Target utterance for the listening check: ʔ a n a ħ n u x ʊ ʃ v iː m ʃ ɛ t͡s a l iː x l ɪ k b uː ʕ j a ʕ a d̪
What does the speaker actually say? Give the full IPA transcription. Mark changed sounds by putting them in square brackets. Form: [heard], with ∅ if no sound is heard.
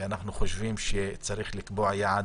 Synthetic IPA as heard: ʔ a n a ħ n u x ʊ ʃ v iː m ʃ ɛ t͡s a [ɾ] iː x l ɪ k b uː ʕ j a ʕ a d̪